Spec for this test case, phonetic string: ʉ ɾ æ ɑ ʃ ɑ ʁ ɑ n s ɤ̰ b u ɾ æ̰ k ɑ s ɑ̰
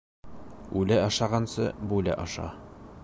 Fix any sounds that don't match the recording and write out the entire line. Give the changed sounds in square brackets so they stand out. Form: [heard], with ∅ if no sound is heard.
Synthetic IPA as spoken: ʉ [l] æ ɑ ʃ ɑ ʁ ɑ n s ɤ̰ b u [l] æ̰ [ʔ] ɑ [ʃ] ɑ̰